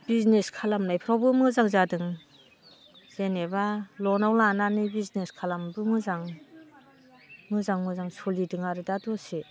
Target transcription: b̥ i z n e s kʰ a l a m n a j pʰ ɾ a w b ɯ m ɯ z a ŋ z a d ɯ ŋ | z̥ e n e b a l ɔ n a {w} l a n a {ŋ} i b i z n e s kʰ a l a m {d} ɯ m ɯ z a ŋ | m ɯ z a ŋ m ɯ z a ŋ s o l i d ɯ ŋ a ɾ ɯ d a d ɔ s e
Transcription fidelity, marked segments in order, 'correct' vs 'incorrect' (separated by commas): correct, incorrect, incorrect